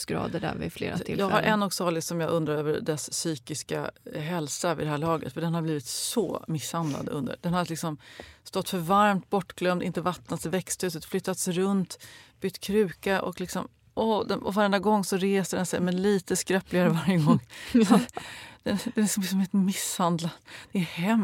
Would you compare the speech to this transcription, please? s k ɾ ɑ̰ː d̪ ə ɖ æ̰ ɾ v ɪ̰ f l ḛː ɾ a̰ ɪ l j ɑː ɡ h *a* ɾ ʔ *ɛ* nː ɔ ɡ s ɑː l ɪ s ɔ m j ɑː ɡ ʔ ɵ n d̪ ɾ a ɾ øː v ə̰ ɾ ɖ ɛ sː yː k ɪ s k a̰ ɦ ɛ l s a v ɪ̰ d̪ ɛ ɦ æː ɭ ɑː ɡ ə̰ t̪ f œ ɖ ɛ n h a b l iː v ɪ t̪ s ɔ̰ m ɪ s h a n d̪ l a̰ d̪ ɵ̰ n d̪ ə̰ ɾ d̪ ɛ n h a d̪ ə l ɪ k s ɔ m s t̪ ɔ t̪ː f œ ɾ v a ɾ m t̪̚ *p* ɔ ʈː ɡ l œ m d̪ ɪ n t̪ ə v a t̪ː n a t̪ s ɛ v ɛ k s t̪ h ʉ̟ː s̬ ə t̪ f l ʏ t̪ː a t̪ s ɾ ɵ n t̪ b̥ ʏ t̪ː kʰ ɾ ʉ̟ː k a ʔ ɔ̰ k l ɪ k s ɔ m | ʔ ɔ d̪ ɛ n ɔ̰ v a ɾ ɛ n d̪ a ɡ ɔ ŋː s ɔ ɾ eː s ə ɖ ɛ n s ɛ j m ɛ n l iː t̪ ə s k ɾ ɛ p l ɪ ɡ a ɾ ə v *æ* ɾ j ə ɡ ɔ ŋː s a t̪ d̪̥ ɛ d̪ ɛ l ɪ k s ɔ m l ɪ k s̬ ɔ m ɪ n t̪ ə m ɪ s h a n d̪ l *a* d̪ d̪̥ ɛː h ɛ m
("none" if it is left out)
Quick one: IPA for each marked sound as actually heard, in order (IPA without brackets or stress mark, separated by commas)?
a, ɛ, b, a, a